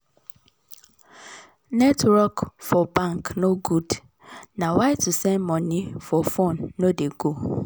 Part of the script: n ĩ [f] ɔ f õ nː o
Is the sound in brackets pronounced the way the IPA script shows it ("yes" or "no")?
yes